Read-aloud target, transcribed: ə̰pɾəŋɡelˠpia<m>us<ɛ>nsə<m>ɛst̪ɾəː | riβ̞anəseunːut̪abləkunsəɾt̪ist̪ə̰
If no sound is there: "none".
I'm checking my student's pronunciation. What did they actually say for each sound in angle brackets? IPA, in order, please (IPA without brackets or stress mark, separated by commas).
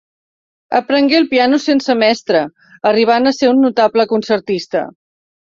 n, e, m